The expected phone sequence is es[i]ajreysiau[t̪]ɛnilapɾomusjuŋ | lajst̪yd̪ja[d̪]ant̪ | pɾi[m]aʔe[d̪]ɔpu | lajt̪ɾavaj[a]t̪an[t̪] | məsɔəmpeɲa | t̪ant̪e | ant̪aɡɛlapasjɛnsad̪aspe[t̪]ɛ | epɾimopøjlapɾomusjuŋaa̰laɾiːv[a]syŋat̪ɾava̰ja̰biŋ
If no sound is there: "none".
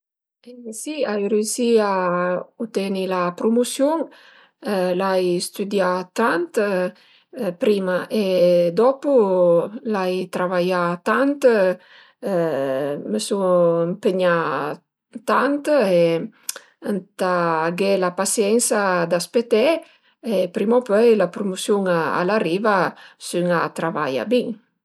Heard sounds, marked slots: i, t̪, t̪, m, d̪, a, t̪, t̪, a

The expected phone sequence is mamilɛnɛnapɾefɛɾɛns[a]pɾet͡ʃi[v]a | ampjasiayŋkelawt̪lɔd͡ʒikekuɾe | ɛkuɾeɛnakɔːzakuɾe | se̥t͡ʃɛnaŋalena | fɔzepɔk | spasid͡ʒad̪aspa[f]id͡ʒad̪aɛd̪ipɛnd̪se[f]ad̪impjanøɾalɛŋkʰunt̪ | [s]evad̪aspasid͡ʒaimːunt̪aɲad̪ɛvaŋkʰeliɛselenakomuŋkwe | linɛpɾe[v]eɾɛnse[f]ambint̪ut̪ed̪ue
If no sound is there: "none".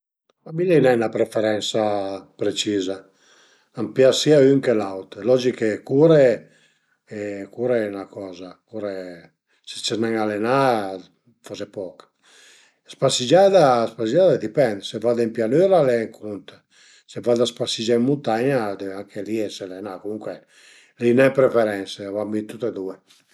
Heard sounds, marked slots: a, z, s, v, s, f, v

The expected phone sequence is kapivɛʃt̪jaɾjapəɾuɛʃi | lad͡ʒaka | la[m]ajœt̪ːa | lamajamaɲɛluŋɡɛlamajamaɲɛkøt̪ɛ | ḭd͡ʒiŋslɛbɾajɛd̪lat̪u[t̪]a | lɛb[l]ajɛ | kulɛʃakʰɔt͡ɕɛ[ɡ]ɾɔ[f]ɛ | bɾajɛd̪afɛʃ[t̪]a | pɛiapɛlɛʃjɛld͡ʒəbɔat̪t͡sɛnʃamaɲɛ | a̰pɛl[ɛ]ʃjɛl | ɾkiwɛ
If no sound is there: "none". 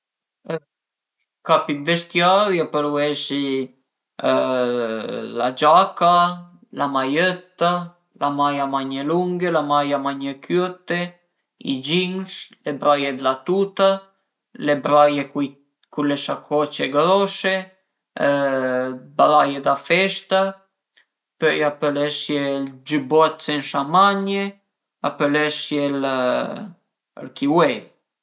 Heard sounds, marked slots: m, t̪, ɾ, ɡ, ʃ, t̪, ɛ

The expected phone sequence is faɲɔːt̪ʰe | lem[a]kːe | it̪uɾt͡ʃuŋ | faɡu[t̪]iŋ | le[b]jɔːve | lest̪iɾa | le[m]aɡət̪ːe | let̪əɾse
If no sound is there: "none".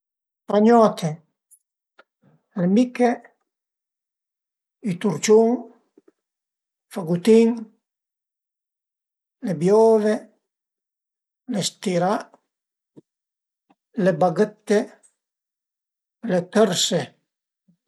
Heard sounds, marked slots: i, t̪, b, b

